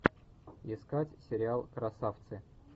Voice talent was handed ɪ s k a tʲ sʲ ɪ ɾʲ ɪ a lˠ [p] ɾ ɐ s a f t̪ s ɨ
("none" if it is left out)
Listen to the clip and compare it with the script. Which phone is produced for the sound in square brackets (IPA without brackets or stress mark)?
k